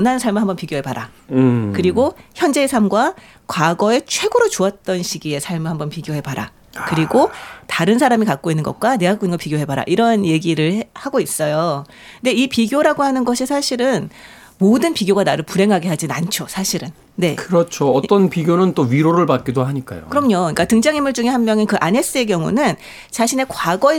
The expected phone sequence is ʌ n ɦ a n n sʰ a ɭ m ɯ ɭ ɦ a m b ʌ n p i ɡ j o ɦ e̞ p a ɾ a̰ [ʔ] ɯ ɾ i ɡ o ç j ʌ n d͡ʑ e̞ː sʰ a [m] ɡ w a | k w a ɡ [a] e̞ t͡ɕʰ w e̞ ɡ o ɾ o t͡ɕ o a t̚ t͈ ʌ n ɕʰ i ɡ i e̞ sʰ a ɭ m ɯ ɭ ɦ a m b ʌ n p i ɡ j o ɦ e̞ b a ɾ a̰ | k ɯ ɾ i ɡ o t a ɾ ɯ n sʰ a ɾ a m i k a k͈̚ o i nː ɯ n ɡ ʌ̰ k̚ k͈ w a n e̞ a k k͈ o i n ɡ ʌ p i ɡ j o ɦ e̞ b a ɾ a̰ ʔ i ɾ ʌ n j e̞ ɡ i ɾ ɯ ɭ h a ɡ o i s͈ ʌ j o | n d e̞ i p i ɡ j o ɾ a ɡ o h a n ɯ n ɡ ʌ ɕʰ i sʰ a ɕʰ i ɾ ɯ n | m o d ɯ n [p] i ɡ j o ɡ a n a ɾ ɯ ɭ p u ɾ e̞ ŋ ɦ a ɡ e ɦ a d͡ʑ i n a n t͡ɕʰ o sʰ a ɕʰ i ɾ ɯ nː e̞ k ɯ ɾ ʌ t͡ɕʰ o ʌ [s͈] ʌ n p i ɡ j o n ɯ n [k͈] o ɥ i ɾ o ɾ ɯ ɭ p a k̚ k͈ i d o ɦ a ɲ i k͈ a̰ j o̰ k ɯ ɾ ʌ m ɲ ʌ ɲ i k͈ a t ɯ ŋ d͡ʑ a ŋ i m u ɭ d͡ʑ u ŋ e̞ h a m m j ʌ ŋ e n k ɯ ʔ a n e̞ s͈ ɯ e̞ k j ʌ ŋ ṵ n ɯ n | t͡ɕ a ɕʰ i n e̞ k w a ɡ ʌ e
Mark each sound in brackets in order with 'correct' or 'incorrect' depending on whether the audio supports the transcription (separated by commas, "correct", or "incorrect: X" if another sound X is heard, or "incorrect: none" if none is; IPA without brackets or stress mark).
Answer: incorrect: k, correct, incorrect: ʌ, correct, incorrect: t͈, incorrect: t͈